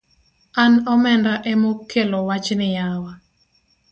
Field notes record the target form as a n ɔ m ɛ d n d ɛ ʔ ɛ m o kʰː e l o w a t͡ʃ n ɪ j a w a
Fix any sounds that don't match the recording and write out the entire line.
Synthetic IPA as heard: a n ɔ m ɛ n d a ʔ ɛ m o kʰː e l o w a t͡ʃ n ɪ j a w a